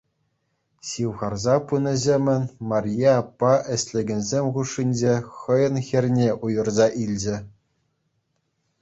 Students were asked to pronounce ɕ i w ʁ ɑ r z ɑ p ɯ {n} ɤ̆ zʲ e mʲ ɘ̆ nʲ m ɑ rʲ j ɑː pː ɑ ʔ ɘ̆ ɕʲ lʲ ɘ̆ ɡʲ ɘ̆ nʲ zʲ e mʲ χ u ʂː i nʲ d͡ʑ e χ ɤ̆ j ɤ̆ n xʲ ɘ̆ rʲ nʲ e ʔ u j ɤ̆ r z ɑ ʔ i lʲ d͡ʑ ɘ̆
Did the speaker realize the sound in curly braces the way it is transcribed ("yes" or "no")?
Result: yes